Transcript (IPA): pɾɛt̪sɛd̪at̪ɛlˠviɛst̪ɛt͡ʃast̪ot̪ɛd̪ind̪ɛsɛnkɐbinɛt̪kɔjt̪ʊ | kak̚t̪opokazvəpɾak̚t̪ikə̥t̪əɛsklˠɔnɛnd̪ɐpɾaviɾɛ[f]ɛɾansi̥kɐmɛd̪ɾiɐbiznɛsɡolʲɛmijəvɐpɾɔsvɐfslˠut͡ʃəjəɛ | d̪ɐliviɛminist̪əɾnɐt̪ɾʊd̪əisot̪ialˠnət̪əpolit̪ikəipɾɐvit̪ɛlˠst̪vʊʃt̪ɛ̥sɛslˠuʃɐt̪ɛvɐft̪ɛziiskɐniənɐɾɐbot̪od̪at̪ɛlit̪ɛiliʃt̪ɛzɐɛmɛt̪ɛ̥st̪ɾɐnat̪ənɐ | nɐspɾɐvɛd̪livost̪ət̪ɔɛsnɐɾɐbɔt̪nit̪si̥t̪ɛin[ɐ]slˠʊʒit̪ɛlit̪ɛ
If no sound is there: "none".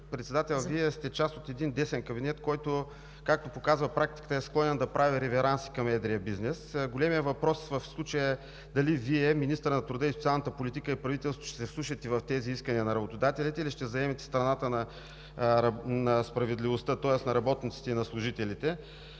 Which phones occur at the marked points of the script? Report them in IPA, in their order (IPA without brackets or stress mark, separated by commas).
v, ɐ